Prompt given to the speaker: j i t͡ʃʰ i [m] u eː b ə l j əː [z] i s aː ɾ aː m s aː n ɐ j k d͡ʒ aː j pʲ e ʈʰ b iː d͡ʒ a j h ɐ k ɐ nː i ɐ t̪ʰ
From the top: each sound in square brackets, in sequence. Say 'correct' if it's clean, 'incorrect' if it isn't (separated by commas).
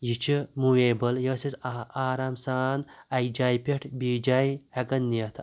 correct, incorrect